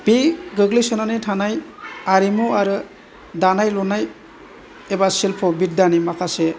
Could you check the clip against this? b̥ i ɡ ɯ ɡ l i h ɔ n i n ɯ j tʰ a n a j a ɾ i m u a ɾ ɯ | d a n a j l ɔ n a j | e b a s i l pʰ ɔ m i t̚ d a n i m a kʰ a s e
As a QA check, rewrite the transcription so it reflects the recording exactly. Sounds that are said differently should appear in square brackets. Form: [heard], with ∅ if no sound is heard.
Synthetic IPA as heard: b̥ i ɡ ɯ ɡ l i [s] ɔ n [a] n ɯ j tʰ a n a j a ɾ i m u a ɾ ɯ | d a n a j l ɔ n a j | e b a s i l pʰ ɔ [b] i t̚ d a n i m a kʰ a s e